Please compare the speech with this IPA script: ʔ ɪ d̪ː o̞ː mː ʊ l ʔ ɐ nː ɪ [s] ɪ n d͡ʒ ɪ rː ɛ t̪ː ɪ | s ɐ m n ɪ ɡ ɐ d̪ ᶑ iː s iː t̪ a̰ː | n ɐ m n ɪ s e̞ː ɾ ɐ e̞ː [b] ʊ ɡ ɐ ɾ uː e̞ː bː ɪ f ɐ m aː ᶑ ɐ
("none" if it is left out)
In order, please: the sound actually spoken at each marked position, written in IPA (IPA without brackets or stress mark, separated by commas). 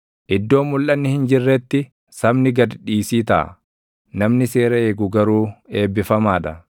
h, ɡ